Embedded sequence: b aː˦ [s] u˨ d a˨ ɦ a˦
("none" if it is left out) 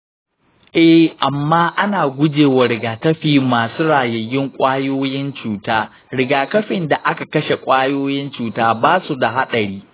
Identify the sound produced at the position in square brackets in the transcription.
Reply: s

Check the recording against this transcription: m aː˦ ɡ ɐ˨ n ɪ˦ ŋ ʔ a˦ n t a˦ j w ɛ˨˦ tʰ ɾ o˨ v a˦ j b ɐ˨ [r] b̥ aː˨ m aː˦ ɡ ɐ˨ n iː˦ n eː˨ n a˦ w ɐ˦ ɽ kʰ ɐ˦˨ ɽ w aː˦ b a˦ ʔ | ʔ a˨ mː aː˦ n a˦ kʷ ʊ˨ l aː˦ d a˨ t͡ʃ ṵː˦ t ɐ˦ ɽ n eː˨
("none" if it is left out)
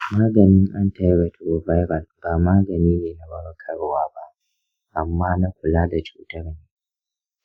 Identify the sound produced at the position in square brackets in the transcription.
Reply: l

